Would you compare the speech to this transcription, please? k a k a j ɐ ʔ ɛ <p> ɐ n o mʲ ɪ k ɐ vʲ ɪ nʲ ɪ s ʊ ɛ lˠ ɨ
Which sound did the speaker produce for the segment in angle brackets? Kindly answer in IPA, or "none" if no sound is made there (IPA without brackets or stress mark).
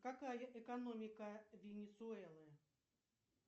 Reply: k